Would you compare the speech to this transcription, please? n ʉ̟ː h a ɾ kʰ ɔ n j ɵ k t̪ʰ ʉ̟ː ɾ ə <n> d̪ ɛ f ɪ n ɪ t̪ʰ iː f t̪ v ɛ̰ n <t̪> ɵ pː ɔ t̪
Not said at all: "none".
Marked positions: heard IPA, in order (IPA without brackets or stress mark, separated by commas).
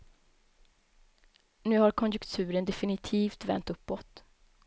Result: n, t̪